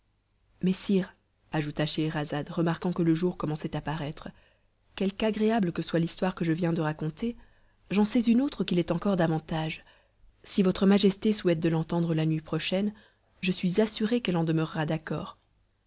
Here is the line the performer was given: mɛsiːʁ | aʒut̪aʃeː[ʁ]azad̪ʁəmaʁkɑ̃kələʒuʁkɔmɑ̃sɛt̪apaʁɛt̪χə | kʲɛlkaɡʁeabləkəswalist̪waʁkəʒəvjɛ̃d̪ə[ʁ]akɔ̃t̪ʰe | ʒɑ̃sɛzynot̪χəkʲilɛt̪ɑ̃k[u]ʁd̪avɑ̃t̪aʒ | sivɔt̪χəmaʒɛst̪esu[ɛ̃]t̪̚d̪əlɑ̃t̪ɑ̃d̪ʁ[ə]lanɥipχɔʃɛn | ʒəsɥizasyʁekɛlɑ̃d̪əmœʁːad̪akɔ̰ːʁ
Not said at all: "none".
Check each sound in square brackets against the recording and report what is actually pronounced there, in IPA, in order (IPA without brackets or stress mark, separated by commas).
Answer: ʁ, ʁ, ɔ, ɛ, ə